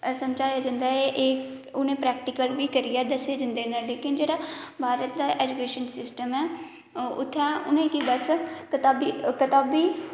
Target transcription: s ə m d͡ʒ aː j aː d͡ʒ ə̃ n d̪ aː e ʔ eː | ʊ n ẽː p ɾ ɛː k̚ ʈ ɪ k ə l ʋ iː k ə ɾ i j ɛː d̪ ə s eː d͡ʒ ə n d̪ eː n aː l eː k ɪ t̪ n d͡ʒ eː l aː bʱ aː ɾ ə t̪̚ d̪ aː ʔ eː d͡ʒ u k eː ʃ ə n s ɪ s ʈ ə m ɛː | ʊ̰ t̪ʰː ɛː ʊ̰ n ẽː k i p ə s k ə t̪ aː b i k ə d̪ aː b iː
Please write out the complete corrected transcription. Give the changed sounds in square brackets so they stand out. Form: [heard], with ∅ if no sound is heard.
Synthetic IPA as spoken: s ə m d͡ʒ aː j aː d͡ʒ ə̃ n d̪ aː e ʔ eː | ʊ n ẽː p ɾ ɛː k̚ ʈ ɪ k ə l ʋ iː k ə ɾ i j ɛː d̪ ə s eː d͡ʒ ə n d̪ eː n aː l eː k ɪ [∅] n d͡ʒ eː [ɽ] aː bʱ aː ɾ ə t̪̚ d̪ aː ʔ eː d͡ʒ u k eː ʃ ə n s ɪ s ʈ ə m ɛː | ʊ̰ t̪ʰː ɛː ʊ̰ n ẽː k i [b] ə s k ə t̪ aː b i k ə [t̪] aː b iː